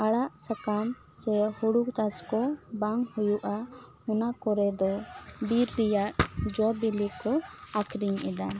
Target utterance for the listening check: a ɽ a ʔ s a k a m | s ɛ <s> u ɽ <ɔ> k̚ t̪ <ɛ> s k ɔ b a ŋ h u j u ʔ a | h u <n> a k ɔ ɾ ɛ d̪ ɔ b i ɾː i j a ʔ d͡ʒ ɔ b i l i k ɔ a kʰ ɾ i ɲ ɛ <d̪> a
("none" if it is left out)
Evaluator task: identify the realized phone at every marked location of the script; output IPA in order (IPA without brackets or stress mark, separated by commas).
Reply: h, u, a, n, d̪